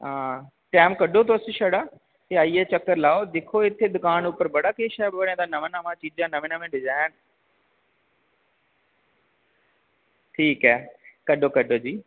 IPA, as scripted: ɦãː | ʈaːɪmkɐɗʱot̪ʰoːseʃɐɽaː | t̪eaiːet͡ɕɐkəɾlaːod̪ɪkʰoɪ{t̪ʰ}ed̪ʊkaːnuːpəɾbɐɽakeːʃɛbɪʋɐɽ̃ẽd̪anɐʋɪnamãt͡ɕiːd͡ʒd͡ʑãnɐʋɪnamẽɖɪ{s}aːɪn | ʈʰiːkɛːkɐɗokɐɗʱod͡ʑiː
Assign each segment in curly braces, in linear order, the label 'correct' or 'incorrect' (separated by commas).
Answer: correct, incorrect